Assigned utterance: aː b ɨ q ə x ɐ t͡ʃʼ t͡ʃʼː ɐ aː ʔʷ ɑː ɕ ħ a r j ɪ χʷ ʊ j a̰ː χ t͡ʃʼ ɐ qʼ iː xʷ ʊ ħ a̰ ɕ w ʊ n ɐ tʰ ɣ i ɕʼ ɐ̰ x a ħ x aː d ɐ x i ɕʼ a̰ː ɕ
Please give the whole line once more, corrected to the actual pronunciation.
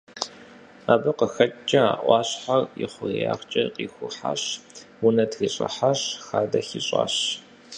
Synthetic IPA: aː b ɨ q ə x ɐ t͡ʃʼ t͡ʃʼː ɐ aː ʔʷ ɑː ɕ ħ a r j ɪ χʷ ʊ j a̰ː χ t͡ʃʼ ɐ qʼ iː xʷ ʊ ħ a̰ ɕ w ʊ n ɐ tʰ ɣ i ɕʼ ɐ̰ ħ a ɕ x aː d ɐ x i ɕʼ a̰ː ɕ